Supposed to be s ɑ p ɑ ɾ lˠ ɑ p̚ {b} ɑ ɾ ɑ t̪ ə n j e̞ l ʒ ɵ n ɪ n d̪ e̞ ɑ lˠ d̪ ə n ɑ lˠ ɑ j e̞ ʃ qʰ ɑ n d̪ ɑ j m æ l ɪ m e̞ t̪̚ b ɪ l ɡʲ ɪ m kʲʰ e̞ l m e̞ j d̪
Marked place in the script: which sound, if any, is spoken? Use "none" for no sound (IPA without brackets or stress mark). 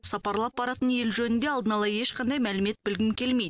b